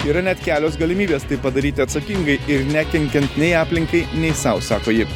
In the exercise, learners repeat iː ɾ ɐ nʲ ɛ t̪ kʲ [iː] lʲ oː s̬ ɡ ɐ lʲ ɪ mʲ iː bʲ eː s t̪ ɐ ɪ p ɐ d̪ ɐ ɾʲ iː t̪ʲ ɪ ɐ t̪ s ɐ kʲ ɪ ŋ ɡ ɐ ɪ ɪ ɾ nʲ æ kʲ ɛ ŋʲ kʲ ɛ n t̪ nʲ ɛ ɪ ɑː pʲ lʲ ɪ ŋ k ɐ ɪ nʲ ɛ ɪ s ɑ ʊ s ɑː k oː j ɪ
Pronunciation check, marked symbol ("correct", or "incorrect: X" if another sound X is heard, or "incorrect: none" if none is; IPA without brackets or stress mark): incorrect: æː